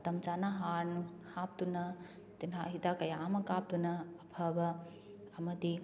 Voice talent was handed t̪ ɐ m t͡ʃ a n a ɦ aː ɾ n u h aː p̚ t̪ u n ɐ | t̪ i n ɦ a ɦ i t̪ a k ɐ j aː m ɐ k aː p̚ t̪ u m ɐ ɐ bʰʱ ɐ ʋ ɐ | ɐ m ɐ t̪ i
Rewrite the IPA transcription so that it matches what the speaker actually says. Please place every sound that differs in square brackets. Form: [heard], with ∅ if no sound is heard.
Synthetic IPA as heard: t̪ ɐ m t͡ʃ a n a ɦ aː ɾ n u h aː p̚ t̪ u n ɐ | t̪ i n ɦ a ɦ i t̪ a k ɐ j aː m ɐ k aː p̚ t̪ u [n] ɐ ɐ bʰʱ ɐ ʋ ɐ | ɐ m ɐ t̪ i

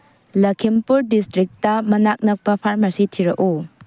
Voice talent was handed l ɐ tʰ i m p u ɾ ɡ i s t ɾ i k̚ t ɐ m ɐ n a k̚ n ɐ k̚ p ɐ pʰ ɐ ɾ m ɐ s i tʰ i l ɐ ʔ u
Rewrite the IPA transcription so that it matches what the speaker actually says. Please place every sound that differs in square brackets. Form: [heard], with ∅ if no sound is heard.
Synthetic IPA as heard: l ɐ [kʰ] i m p u ɾ [d] i s t ɾ i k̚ t ɐ m ɐ n a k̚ n ɐ k̚ p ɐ pʰ [a] ɾ m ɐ s i tʰ i [ɾ] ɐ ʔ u

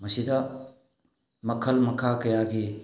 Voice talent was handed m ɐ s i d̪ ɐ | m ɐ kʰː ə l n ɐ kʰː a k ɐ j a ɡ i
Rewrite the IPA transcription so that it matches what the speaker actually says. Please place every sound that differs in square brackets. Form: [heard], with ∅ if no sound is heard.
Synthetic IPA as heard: m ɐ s i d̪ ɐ | m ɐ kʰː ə l [m] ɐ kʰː a k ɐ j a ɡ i

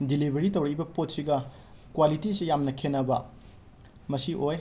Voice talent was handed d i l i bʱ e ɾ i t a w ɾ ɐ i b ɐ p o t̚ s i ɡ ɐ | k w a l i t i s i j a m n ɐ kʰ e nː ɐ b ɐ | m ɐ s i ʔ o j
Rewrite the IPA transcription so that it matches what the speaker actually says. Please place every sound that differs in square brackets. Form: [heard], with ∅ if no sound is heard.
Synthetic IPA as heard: d i l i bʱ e ɾ i t [ɐ] w ɾ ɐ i b ɐ p o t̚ s i ɡ ɐ | k w a l i t i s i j a m n ɐ kʰ e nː ɐ b ɐ | m ɐ s i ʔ o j

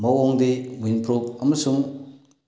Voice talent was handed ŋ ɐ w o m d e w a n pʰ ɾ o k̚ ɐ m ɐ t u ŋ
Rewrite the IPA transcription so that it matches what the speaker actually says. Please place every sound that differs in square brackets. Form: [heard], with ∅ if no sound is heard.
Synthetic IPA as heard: [m] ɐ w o [ŋ] d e w [i] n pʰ ɾ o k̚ ɐ m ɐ [s] u ŋ

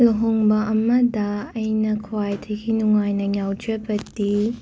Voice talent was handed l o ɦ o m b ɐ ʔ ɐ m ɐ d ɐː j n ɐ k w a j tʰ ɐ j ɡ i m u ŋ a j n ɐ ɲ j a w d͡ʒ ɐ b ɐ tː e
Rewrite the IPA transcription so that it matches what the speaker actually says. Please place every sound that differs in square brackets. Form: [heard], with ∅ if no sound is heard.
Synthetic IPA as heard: l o ɦ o [ŋ] b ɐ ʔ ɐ m ɐ d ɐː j n ɐ [kʰ] w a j tʰ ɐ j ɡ i [n] u ŋ a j n ɐ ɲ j a w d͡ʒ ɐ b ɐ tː [i]

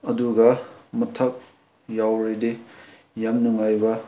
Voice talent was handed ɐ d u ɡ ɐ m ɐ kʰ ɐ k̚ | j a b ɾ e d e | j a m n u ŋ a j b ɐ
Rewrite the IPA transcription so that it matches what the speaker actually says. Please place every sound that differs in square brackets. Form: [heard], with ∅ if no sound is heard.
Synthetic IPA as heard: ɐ d u ɡ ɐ m ɐ [tʰ] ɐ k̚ | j a [w] ɾ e d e | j a m n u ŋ a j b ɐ

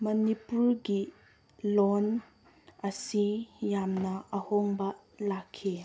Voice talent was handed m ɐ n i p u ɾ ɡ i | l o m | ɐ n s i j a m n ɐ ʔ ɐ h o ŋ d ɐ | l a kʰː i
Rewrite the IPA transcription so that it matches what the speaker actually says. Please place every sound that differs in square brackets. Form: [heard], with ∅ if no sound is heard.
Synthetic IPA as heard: m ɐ n i p u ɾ ɡ i | l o [n] | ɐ [∅] s i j a m n ɐ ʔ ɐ h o ŋ [b] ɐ | l a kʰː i

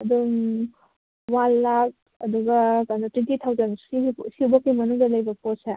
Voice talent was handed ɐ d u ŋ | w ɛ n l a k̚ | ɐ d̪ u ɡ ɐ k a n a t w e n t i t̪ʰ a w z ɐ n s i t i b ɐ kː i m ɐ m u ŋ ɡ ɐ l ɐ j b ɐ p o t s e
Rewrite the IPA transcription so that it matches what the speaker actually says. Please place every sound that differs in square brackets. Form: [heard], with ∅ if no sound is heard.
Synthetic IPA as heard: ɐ d u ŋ | w [a] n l a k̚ | ɐ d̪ u ɡ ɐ k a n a t w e n t i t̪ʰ a w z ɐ n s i [s] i b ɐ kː i m ɐ [n] u ŋ [d] ɐ l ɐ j b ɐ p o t s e

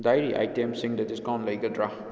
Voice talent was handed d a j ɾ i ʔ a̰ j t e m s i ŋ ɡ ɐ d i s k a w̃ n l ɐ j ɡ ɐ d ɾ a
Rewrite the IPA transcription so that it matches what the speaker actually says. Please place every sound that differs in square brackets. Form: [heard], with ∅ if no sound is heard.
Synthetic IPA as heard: d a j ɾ i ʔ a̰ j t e m s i ŋ [d] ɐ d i s k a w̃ n l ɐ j ɡ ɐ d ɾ a

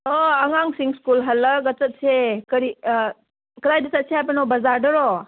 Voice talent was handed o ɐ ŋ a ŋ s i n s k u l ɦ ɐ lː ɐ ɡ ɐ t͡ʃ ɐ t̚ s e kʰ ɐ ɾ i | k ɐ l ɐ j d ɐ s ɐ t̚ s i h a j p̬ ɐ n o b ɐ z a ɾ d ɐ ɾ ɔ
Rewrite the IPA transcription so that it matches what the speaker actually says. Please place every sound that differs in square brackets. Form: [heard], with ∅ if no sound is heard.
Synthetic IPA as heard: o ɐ ŋ a ŋ s i [ŋ] s k u l ɦ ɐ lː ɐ ɡ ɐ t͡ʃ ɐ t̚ s e [k] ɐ ɾ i | k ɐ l [a] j d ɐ s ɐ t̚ s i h a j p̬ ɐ n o b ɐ z a ɾ d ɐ ɾ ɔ

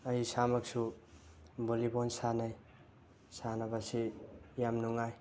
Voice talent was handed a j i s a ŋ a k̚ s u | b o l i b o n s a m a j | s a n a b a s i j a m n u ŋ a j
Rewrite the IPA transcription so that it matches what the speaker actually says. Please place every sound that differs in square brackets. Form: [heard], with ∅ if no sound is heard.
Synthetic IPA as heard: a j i s a [m] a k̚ s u | b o l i b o n s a [n] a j | s a n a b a s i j a m n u ŋ a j

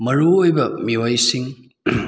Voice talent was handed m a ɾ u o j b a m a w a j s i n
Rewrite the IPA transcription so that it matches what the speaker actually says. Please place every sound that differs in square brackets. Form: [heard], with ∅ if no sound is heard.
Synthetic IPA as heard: m [ɐ] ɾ u o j b [ɐ] m [i] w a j s i [ŋ]

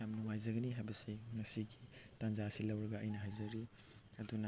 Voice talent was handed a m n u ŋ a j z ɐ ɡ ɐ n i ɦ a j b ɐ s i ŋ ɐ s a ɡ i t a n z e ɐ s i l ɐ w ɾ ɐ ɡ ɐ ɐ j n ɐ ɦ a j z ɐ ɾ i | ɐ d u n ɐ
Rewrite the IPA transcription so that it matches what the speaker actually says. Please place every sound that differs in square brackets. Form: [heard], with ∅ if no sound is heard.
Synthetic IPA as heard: a m n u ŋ a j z ɐ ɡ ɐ n i ɦ a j b ɐ s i ŋ ɐ s [i] ɡ i t a n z [a] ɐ s i l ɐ w ɾ ɐ ɡ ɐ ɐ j n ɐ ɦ a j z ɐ ɾ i | ɐ d u n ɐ

